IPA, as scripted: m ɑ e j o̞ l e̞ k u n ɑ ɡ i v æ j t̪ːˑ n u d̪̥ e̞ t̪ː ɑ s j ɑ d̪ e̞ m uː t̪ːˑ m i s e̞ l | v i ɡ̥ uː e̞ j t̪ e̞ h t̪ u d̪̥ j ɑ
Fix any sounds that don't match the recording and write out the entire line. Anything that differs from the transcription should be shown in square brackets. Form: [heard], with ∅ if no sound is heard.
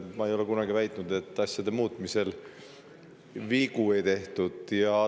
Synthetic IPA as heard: m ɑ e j o̞ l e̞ k u n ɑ ɡ i v æ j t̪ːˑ n u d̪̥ e̞ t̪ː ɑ s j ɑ d̪ e̞ m uː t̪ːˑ m i s e̞ l | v i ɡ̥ [u] e̞ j t̪ e̞ h t̪ u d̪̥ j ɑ